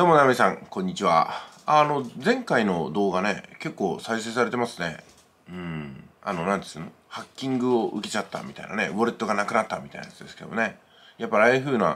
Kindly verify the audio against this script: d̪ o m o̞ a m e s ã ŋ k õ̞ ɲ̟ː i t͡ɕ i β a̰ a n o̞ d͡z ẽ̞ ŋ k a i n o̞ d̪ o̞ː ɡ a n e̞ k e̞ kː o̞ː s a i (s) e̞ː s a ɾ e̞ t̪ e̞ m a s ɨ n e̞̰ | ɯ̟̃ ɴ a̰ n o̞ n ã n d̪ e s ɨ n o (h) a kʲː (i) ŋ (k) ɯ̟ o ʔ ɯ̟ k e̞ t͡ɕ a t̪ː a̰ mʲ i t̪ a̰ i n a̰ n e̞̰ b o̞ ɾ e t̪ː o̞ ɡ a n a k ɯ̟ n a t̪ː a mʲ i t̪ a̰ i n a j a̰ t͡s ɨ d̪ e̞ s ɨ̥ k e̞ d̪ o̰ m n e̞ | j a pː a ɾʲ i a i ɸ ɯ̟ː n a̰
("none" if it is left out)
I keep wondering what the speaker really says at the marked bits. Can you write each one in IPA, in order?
s, h, ĩ, ɡ

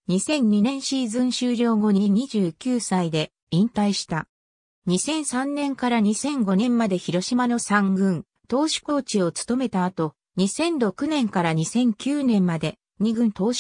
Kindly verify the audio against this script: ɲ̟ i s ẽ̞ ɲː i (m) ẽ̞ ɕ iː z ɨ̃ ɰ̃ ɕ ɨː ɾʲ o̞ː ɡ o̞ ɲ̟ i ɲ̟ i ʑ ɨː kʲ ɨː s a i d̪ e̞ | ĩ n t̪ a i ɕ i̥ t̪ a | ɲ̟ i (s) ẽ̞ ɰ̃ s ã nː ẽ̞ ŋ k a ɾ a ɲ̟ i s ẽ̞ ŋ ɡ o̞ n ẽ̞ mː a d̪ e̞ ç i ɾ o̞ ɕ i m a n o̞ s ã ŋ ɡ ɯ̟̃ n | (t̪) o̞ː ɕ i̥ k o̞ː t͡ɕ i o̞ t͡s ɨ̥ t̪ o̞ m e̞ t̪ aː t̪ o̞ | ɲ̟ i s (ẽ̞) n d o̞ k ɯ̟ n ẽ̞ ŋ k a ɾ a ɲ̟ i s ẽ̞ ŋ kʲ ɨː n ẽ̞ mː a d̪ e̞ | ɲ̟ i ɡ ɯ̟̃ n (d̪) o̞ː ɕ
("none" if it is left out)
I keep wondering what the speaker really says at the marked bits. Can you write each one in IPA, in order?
n, s, t̪, ẽ̞, t̪

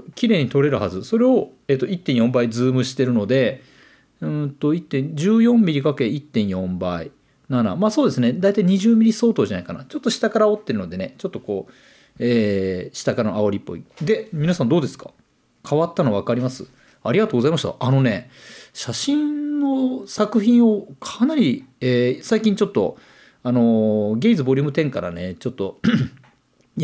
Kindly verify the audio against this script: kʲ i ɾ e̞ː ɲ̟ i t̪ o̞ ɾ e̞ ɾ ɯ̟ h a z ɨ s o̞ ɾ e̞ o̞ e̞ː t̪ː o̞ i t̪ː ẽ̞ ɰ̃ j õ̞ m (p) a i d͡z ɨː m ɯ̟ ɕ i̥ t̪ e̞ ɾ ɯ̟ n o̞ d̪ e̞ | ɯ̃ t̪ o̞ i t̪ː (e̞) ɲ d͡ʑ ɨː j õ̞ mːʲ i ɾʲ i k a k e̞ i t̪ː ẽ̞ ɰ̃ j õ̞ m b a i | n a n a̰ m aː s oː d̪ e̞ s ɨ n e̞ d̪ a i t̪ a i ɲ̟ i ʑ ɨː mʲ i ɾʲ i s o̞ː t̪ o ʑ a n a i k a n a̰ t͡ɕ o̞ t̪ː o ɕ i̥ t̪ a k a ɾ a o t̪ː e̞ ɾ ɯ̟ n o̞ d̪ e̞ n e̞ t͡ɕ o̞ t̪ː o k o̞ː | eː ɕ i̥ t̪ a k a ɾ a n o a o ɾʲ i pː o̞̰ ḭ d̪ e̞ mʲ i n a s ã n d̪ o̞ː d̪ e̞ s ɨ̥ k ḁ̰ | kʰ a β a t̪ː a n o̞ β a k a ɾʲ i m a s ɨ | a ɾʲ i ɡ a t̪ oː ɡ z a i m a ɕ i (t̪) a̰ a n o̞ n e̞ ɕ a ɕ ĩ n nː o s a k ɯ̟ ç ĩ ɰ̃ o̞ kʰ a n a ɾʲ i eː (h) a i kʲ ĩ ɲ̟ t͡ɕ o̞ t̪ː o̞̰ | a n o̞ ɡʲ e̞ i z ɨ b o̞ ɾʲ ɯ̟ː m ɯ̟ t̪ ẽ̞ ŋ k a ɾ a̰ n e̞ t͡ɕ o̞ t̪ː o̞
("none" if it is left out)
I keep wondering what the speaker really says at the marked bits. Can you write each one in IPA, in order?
b, ẽ̞, t̪, s

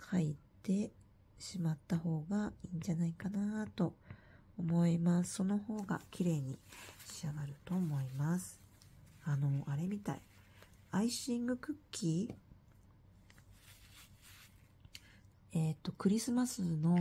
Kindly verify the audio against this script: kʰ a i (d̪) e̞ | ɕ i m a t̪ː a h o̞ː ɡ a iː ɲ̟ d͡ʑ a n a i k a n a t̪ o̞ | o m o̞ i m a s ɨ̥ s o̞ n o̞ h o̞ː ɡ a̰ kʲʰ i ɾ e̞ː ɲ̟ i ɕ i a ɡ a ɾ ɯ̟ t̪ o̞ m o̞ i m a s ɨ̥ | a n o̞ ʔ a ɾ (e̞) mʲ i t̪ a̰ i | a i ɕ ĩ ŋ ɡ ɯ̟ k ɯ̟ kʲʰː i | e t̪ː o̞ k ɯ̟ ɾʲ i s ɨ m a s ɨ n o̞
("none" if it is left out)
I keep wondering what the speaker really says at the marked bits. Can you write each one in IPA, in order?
t̪, e̞

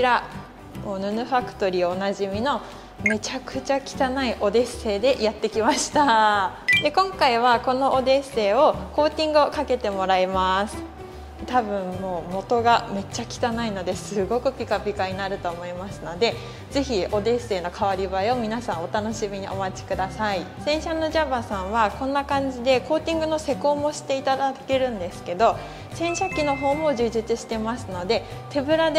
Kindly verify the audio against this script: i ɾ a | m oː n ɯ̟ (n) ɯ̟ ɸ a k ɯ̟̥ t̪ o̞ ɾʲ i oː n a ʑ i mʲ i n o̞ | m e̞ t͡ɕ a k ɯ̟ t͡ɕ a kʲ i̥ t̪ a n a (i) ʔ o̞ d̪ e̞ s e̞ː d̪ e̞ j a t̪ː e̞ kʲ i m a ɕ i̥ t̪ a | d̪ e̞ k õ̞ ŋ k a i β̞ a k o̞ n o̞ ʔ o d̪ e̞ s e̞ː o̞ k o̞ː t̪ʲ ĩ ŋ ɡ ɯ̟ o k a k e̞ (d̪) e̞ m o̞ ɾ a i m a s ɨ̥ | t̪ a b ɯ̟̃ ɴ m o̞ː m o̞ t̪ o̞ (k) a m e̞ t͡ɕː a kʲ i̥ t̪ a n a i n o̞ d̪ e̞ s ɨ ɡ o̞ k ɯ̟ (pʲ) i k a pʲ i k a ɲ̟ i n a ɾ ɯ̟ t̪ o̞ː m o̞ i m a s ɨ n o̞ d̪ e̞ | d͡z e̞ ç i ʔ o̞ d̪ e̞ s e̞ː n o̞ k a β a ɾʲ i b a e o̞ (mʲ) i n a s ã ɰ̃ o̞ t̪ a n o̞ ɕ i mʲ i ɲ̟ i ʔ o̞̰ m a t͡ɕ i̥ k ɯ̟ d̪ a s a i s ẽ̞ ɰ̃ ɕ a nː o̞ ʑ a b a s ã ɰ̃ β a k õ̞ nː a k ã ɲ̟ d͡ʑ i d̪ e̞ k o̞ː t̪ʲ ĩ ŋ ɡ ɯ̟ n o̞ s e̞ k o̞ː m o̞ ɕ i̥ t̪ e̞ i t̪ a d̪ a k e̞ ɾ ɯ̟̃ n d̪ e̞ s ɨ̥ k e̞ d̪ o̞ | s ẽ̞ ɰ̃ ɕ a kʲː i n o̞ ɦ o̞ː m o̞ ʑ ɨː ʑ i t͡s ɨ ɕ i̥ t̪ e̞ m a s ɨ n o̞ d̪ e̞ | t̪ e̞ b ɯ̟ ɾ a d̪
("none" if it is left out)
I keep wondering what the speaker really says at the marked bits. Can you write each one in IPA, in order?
n, i, t̪, ɡ, pʲ, mʲ

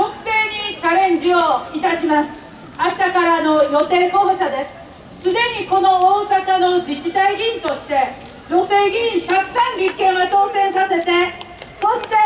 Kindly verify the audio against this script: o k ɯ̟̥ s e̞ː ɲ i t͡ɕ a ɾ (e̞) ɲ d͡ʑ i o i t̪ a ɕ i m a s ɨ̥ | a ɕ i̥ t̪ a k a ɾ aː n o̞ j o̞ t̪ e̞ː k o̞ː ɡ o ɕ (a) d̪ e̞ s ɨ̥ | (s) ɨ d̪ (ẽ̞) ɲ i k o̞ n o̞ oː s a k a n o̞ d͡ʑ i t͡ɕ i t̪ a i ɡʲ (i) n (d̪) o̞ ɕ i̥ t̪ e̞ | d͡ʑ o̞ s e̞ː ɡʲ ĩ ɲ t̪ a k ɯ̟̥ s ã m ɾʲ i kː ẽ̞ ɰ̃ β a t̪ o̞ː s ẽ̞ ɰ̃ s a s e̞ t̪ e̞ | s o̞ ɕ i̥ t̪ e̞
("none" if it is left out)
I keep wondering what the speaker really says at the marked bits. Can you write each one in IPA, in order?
ẽ̞, a, s, e̞, ĩ, t̪

